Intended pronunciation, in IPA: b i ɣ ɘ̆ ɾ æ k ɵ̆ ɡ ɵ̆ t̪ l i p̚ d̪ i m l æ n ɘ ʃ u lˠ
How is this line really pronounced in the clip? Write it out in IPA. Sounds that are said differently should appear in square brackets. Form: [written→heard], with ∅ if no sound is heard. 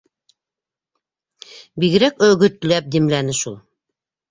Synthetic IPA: b i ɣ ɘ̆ ɾ æ k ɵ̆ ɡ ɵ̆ t̪ l [i→æ] p̚ d̪ i m l æ n ɘ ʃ u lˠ

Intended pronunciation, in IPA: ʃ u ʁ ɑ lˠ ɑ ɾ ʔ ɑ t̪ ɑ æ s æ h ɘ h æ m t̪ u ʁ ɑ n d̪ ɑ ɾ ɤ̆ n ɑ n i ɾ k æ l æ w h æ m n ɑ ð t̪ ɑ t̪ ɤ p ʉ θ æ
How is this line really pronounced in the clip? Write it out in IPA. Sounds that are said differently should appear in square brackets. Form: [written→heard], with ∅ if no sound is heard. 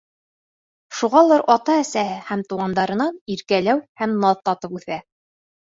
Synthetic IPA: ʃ u ʁ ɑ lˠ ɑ ɾ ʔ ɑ t̪ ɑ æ s æ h ɘ h æ m t̪ u ʁ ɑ n d̪ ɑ ɾ ɤ̆ n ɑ n i ɾ k æ l æ w h æ m n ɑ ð t̪ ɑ t̪ ɤ p ʉ θ æ

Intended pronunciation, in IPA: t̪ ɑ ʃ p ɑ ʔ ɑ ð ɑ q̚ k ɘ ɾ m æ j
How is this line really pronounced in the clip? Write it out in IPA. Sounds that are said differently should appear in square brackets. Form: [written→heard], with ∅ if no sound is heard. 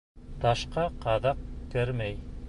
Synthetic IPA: t̪ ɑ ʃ [p→q] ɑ [ʔ→q] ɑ ð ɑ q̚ k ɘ ɾ m æ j

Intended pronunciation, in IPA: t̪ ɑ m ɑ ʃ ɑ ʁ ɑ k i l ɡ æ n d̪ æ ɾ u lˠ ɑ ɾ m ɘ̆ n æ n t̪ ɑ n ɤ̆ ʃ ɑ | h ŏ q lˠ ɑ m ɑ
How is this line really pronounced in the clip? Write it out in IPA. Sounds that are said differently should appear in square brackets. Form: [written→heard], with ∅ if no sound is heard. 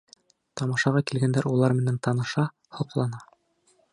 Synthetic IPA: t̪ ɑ m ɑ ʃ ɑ ʁ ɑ k i l ɡ æ n d̪ æ ɾ u lˠ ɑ ɾ m ɘ̆ n æ n t̪ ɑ n ɤ̆ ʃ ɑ | h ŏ q lˠ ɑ [m→n] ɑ

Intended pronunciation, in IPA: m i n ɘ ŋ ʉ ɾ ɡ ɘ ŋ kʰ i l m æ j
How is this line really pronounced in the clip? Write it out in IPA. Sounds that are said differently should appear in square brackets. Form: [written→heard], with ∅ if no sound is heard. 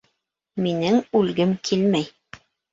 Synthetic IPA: m i n ɘ ŋ ʉ [ɾ→l] ɡ ɘ [ŋ→m] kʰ i l m æ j

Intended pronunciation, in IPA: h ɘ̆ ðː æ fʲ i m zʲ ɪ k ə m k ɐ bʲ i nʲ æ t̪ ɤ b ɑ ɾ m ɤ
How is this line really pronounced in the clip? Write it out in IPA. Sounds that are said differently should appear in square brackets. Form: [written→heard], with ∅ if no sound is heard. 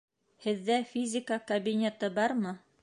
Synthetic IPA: h ɘ̆ ðː æ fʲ i [m→∅] zʲ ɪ k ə [m→∅] k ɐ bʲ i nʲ [æ→e] t̪ ɤ b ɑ ɾ m ɤ

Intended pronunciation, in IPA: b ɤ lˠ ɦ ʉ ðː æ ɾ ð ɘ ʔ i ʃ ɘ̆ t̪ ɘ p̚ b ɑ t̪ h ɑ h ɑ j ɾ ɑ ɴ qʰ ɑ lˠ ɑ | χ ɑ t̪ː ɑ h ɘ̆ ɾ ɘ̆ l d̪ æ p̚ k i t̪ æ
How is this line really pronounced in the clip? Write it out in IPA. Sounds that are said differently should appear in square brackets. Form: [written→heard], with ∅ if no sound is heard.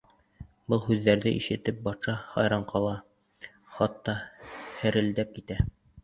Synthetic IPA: b ɤ lˠ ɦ ʉ ðː æ ɾ ð ɘ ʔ i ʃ ɘ̆ t̪ ɘ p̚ b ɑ t̪ [h→ʃ] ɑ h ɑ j ɾ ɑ ɴ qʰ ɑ lˠ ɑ | χ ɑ t̪ː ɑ h ɘ̆ ɾ ɘ̆ l d̪ æ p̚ k i t̪ æ

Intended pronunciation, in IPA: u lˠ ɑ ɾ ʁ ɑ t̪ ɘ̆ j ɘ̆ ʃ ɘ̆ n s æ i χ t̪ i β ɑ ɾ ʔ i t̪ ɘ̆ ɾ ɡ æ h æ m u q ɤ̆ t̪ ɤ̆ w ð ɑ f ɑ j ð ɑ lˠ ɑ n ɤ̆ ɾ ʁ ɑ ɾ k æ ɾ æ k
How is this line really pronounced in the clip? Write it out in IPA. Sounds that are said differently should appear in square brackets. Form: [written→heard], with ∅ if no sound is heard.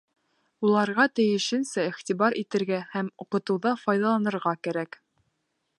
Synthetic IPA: u lˠ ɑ ɾ ʁ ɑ t̪ ɘ̆ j ɘ̆ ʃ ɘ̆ n s æ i χ t̪ i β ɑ ɾ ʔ i t̪ ɘ̆ ɾ ɡ æ h æ m u q ɤ̆ t̪ ɤ̆ w ð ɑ f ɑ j ð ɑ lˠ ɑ n ɤ̆ ɾ ʁ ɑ [ɾ→∅] k æ ɾ æ k

